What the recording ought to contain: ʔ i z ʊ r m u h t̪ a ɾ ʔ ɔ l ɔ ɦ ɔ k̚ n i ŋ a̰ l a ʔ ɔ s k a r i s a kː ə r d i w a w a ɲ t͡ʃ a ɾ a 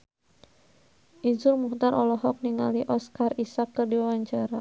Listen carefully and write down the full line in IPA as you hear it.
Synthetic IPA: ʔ i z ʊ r m u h t̪ a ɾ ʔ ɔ l ɔ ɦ ɔ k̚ n i ŋ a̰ l i ʔ ɔ s k a r i s a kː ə r d i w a w a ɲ t͡ʃ a ɾ a